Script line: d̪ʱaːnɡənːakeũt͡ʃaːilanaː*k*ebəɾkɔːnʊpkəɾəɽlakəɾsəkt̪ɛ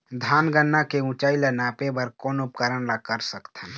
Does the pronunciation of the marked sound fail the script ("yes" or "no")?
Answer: yes